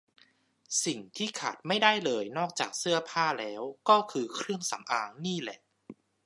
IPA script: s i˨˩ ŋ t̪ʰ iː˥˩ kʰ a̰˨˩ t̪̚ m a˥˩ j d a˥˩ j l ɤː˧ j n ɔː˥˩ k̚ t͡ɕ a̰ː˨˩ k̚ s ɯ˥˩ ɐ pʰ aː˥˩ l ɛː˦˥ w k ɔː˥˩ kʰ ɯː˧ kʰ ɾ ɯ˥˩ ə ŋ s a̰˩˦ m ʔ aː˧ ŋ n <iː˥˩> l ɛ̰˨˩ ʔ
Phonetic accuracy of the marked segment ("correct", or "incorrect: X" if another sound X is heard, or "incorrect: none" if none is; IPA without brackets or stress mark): correct